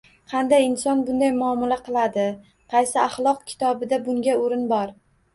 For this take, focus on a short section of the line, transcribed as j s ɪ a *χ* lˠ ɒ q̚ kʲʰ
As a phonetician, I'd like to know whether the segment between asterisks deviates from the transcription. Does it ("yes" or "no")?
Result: no